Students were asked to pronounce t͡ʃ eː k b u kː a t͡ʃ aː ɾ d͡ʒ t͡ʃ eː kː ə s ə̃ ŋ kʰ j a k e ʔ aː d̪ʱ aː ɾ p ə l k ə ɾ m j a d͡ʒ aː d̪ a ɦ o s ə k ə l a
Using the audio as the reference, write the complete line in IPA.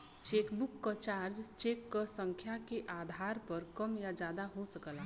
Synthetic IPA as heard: t͡ʃ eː k b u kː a t͡ʃ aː ɾ d͡ʒ t͡ʃ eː kː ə s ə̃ ŋ kʰ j a k e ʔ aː d̪ʱ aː ɾ p ə ɾ k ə m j a d͡ʒ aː d̪ a ɦ o s ə k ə l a